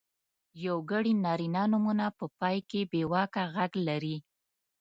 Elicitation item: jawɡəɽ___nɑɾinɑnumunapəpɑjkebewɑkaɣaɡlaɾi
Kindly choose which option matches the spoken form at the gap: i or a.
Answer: i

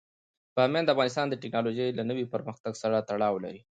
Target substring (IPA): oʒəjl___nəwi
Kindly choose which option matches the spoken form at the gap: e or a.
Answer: a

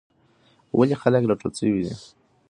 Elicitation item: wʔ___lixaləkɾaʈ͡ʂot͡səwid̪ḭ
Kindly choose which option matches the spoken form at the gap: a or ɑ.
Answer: a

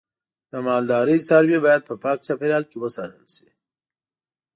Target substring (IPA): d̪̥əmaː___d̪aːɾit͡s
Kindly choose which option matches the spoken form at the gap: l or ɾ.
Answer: l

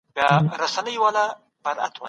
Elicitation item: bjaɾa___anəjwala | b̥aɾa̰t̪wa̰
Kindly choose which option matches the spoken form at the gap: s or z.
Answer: s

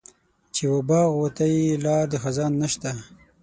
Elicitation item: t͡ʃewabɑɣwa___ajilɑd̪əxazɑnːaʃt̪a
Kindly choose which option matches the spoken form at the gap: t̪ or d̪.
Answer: t̪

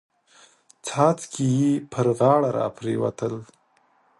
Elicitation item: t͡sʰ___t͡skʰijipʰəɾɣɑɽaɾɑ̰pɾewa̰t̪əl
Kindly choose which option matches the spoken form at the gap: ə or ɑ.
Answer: ɑ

